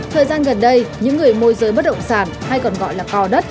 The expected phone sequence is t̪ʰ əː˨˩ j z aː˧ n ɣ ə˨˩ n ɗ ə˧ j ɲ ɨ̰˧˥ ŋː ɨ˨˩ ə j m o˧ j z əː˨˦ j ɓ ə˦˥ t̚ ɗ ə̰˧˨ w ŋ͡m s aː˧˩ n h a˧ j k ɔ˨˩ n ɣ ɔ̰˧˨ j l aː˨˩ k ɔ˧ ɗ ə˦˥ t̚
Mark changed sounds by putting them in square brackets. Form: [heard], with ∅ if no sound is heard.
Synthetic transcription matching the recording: t̪ʰ əː˨˩ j z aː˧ n ɣ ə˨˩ n ɗ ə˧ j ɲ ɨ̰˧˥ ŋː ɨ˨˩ ə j m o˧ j z əː˨˦ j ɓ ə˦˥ t̚ ɗ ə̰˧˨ w ŋ͡m s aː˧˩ n h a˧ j k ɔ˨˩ n ɣ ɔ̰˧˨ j l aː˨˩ k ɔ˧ ɗ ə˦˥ t̚

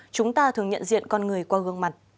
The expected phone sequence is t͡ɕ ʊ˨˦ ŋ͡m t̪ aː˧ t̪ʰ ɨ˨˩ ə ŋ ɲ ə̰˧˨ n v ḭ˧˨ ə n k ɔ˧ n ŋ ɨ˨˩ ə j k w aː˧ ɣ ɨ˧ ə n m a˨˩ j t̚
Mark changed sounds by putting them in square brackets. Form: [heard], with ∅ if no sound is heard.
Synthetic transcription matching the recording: t͡ɕ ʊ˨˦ ŋ͡m t̪ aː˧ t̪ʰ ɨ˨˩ ə ŋ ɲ ə̰˧˨ n [z] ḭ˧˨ ə n k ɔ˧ n ŋ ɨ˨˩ ə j k w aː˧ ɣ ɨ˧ ə [ŋ] m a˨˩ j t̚

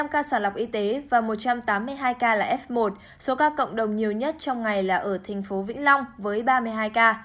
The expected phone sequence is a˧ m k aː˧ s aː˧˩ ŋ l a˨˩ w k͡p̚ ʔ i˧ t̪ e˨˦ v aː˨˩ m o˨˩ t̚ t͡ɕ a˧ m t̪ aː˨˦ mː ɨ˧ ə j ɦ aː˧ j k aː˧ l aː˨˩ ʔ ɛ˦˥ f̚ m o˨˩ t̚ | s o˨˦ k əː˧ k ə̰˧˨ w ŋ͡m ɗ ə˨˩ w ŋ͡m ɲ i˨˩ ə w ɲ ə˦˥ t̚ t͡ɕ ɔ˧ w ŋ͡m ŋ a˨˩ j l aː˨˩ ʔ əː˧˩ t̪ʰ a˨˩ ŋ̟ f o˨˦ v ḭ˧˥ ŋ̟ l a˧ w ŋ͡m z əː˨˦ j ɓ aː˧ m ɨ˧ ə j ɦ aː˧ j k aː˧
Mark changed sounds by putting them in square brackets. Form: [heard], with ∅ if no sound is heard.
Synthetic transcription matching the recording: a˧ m k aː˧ s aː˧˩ [n] l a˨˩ w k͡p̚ ʔ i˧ t̪ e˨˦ v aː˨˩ m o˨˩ t̚ t͡ɕ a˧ m t̪ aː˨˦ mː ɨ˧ ə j ɦ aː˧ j k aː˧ l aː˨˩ ʔ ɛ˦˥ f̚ m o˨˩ t̚ | s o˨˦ k [aː˧] k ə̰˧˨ w ŋ͡m ɗ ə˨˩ w ŋ͡m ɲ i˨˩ ə w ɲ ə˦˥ t̚ t͡ɕ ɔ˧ w ŋ͡m ŋ a˨˩ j l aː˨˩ ʔ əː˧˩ t̪ʰ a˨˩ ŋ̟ f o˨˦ v ḭ˧˥ ŋ̟ l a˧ w ŋ͡m [v] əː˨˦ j ɓ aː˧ m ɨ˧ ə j ɦ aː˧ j k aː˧

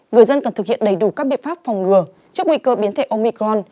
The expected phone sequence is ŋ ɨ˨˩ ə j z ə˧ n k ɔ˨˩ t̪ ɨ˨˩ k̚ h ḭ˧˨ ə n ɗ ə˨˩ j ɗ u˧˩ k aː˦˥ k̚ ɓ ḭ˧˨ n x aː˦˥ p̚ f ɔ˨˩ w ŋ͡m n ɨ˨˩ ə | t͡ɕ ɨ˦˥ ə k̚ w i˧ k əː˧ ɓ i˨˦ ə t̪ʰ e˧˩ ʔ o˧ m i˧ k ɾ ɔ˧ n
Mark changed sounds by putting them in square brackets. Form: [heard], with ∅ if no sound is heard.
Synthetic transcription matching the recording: ŋ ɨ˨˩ ə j z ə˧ n k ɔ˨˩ t̪ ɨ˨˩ k̚ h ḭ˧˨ ə n ɗ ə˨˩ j ɗ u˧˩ k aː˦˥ k̚ ɓ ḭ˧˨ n [f] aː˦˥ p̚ f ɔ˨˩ w ŋ͡m [ŋ] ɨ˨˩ ə | t͡ɕ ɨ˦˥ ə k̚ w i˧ k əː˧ ɓ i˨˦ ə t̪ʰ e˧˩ ʔ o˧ m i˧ k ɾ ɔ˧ n

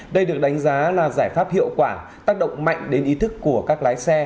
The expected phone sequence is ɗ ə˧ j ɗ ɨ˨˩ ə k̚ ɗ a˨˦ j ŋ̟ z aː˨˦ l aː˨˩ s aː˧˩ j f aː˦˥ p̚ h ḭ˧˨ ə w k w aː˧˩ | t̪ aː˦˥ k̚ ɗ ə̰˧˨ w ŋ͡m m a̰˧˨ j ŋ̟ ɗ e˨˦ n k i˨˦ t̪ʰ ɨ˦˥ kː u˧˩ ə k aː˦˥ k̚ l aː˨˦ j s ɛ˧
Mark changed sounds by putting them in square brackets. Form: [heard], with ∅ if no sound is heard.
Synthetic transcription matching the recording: ɗ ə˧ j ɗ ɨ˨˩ ə k̚ ɗ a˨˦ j ŋ̟ z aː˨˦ l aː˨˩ [z] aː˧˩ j f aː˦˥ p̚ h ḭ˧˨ ə w k w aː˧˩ | t̪ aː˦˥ k̚ ɗ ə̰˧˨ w ŋ͡m m a̰˧˨ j ŋ̟ ɗ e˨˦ n [ʔ] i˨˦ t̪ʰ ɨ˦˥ kː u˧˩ ə k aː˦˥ k̚ l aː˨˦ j s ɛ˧

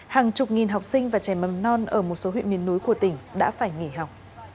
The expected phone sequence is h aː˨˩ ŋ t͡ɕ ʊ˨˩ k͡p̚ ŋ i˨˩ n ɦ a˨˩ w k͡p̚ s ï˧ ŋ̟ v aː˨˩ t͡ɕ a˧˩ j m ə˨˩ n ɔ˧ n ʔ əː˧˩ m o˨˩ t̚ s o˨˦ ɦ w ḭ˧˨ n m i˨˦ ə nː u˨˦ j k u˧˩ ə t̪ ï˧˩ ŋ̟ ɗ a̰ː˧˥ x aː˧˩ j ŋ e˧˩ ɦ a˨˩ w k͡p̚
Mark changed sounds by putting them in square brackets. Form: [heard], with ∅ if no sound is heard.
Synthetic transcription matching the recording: h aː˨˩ ŋ t͡ɕ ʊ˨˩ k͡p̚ ŋ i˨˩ n ɦ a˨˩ w k͡p̚ s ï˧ ŋ̟ v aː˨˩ t͡ɕ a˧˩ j m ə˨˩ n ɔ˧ n ʔ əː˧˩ m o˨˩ t̚ s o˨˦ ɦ w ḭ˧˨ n m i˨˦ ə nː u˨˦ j k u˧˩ ə t̪ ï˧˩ ŋ̟ ɗ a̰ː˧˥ [f] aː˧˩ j ŋ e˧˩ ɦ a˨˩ w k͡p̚

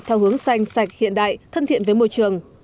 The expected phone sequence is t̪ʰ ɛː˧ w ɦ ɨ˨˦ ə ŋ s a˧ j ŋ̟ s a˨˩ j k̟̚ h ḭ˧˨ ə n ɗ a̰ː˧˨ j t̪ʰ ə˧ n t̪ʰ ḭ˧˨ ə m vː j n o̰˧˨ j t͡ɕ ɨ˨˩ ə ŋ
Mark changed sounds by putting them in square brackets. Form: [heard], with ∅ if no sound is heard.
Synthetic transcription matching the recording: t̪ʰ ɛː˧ w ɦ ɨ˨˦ ə ŋ s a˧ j ŋ̟ s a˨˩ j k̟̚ h ḭ˧˨ ə n ɗ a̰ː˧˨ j t̪ʰ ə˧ n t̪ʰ ḭ˧˨ ə [n] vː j [m] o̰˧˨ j t͡ɕ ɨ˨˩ ə ŋ

